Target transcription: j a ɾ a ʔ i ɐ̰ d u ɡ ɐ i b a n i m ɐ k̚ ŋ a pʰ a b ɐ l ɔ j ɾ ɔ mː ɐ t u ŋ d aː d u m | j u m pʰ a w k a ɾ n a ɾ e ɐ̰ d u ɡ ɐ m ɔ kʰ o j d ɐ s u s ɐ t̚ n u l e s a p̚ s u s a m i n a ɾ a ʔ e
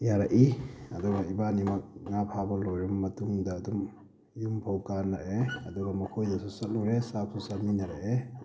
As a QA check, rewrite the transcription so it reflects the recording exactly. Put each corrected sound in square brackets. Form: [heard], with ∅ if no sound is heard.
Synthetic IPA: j a ɾ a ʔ i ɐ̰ d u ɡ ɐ i b a n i m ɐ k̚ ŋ a pʰ a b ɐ l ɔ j ɾ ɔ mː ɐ t u ŋ d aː d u m | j u m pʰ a w k a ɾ n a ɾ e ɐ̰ d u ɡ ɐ m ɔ kʰ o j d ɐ s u s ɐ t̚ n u [ɾ] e s a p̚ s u s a m i n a ɾ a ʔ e